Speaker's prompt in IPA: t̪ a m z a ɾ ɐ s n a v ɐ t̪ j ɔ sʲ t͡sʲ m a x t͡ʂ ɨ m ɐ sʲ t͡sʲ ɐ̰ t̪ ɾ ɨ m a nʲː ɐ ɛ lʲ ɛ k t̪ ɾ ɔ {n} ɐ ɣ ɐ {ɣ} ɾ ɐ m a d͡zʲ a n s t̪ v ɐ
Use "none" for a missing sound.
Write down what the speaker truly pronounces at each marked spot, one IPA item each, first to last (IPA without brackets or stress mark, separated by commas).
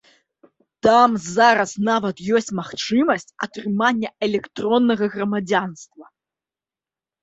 nː, ɣ